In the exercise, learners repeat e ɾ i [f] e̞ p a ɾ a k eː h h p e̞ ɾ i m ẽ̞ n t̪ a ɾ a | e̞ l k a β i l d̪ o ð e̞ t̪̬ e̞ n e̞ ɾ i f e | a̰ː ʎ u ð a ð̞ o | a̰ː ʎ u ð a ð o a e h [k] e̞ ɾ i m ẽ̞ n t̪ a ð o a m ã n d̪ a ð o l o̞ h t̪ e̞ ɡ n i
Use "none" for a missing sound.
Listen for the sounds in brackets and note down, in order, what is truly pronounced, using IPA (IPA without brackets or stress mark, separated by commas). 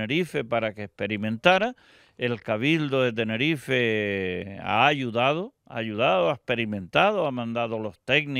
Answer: f, p